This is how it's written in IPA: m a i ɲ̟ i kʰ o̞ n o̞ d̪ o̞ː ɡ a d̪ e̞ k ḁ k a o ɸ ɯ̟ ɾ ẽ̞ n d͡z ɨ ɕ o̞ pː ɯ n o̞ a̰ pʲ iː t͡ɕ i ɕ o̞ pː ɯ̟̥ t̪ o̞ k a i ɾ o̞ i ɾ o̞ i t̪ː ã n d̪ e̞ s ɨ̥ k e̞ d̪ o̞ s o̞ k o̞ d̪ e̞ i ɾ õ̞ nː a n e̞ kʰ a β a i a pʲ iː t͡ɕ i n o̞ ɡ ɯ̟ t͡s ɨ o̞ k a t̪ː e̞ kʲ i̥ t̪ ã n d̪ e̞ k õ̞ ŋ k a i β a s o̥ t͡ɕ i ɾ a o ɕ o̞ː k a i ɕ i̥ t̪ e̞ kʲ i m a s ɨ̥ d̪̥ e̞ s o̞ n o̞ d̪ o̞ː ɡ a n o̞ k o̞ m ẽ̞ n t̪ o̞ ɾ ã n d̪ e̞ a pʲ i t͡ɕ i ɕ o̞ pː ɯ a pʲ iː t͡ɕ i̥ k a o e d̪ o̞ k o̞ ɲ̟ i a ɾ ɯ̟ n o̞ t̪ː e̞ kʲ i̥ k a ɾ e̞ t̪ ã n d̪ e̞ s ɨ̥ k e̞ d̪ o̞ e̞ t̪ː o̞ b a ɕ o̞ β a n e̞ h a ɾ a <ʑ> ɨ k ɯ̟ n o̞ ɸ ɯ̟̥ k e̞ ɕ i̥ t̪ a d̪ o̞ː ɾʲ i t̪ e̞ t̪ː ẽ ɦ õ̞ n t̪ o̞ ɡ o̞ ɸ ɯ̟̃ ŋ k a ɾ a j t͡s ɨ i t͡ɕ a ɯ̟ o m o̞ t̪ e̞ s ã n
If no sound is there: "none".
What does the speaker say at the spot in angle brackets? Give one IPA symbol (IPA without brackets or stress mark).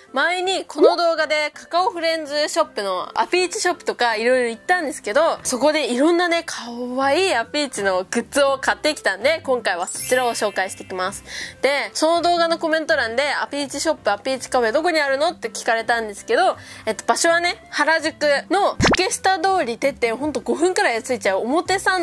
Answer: ʑ